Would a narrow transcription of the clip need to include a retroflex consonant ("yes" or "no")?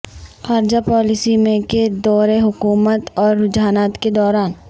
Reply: no